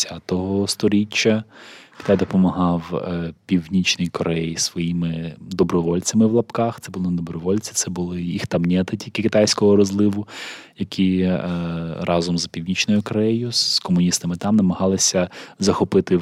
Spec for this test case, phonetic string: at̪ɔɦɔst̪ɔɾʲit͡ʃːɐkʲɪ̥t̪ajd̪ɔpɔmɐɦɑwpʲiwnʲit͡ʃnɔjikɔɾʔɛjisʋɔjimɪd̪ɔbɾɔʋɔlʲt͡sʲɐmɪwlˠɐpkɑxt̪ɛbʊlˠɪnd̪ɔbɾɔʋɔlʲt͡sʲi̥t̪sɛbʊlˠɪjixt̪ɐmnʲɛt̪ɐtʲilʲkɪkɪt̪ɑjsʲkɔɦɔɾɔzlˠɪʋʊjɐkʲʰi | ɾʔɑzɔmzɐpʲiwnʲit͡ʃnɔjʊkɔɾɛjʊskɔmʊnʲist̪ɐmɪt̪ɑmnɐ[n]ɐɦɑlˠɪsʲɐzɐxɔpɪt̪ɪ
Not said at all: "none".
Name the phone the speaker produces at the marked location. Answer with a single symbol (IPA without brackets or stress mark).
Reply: m